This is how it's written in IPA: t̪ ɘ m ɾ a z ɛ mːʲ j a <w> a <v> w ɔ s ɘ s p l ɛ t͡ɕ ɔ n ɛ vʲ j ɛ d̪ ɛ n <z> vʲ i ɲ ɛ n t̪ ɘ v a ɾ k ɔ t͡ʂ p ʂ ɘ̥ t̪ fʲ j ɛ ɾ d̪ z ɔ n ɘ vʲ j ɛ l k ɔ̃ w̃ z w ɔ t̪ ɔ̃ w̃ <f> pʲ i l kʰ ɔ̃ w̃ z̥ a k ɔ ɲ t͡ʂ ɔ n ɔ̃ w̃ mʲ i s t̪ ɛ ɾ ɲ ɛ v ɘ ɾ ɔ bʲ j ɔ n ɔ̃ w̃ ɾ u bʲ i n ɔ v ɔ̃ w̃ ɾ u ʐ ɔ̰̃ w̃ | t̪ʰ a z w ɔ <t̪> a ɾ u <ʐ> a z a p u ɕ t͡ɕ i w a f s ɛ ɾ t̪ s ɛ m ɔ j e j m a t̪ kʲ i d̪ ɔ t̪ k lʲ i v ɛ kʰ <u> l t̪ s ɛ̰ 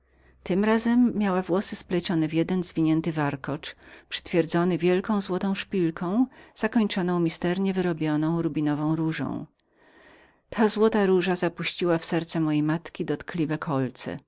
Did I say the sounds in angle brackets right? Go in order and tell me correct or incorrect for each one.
correct, correct, correct, incorrect: ʂ, correct, correct, incorrect: ɔ

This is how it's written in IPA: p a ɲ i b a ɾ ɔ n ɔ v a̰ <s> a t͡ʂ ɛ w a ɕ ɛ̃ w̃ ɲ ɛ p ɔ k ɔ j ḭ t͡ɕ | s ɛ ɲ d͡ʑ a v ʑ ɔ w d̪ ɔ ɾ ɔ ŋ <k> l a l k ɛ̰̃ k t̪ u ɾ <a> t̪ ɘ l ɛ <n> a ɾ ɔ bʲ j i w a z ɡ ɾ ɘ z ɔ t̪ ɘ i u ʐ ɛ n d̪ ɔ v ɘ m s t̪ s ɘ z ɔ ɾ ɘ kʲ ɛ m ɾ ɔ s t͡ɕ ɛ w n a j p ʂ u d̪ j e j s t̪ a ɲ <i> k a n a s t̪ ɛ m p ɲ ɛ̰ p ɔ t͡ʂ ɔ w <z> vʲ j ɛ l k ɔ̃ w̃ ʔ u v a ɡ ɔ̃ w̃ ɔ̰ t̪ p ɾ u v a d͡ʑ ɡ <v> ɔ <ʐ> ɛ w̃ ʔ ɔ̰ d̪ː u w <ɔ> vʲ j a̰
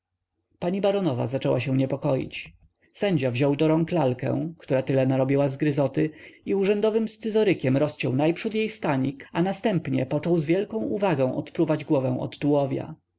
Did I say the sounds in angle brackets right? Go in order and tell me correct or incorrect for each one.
incorrect: z, correct, correct, correct, correct, correct, incorrect: w, incorrect: v, correct

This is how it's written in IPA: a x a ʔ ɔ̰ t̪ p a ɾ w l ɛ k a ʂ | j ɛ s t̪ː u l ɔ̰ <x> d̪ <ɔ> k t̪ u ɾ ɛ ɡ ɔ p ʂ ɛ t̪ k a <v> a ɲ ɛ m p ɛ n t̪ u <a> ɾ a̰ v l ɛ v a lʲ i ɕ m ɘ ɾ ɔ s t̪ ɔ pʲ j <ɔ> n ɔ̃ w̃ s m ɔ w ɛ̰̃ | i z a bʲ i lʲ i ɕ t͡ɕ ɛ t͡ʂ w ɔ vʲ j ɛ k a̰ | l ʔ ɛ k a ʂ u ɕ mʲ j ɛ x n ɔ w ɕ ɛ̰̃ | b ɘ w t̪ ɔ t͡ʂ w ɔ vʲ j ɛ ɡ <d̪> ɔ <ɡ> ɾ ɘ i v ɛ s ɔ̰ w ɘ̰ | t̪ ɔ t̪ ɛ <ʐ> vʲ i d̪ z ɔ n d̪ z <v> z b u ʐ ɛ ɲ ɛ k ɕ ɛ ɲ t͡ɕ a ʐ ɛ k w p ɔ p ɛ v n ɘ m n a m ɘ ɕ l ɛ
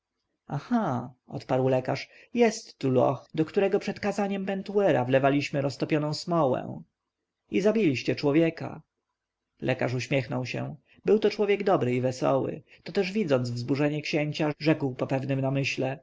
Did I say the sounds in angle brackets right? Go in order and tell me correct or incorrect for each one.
correct, correct, incorrect: z, incorrect: ɛ, correct, correct, incorrect: b, correct, correct

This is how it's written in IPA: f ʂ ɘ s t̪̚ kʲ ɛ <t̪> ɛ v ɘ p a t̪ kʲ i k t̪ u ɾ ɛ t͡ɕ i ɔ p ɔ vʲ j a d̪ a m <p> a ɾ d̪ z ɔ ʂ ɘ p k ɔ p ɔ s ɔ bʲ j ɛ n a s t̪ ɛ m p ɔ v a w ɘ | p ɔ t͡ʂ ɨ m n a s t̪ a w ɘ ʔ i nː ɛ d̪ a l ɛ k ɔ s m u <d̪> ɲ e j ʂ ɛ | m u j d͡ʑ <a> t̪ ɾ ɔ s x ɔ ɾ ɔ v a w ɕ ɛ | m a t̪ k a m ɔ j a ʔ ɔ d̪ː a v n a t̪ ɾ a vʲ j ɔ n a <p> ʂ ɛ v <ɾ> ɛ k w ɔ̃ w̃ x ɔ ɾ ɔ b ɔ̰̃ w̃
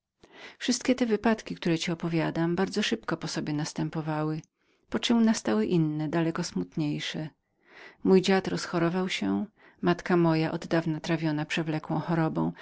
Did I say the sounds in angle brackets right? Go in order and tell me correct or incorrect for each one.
correct, incorrect: b, incorrect: t̪, correct, correct, incorrect: l

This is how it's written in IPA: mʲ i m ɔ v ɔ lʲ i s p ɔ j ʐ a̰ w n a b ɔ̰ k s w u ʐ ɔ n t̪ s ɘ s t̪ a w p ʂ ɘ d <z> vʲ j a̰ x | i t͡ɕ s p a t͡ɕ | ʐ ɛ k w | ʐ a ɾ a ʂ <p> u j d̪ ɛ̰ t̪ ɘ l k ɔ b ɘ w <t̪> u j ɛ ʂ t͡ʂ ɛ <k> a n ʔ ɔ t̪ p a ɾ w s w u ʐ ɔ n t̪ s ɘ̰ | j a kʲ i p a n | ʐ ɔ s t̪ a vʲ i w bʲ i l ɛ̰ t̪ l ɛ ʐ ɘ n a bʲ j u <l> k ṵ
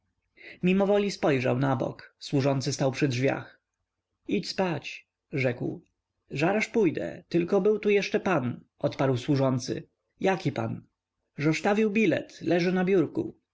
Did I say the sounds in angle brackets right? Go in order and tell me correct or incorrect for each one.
incorrect: ʐ, correct, correct, incorrect: p, incorrect: ɾ

